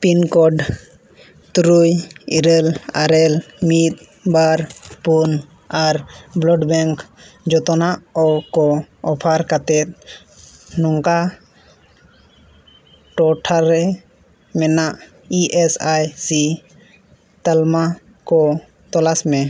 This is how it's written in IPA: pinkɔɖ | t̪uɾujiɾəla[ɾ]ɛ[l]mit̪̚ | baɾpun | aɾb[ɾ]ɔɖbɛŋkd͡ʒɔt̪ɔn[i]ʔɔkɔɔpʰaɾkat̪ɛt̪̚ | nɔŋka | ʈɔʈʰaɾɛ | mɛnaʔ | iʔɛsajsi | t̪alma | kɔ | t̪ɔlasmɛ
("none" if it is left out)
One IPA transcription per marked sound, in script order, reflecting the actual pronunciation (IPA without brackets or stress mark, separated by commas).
ɾ, l, l, a